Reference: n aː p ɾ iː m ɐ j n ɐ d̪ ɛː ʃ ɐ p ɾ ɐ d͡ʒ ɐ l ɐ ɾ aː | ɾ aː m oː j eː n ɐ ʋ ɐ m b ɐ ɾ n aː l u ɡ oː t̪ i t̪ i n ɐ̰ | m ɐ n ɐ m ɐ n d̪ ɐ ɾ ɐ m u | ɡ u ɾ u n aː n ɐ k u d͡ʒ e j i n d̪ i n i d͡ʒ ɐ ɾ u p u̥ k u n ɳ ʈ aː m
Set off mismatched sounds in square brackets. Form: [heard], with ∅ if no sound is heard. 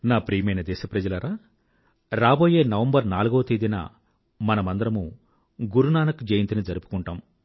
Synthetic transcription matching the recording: n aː p ɾ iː m ɐ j n ɐ d̪ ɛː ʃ ɐ p ɾ ɐ d͡ʒ ɐ l ɐ ɾ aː | ɾ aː [b] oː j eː n ɐ ʋ ɐ m b ɐ ɾ n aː l u ɡ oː t̪ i [d̪] i n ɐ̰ | m ɐ n ɐ m ɐ n d̪ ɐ ɾ ɐ m u | ɡ u ɾ u n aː n ɐ k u d͡ʒ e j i n [t̪] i n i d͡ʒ ɐ ɾ u p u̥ k u [∅] ɳ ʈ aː m